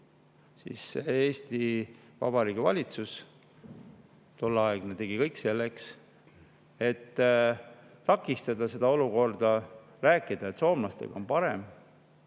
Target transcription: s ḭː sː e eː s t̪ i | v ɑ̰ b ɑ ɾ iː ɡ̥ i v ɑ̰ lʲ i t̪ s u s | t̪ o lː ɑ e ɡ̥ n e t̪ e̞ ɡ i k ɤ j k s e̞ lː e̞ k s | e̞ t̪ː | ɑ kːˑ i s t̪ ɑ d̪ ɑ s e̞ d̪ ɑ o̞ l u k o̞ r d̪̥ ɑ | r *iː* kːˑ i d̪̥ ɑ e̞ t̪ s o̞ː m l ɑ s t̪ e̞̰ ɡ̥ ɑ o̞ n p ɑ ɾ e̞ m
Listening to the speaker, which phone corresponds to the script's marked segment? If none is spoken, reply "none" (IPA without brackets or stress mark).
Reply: æː